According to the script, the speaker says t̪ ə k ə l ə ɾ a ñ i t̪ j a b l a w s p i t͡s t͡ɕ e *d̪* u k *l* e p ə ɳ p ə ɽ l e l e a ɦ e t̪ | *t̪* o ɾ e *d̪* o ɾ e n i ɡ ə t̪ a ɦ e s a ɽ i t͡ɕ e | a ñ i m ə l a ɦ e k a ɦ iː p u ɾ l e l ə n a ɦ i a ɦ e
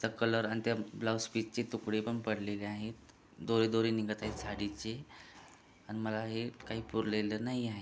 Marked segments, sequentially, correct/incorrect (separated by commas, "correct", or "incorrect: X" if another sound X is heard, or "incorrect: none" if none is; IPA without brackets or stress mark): incorrect: t̪, incorrect: ɽ, incorrect: d̪, correct